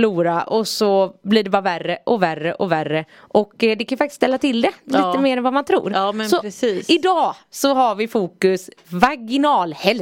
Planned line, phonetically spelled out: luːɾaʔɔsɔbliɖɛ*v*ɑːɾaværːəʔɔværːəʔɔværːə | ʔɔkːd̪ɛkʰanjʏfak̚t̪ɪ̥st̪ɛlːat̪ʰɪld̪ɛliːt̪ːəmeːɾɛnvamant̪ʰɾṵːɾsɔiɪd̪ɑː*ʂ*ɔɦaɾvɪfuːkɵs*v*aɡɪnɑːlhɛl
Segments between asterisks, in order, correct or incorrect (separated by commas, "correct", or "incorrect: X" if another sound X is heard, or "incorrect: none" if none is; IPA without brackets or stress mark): incorrect: b, incorrect: s, correct